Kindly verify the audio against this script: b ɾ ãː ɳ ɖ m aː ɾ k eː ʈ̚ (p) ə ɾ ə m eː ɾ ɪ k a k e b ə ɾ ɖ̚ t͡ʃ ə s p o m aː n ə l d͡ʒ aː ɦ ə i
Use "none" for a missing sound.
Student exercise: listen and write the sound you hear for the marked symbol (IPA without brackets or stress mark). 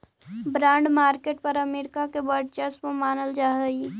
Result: p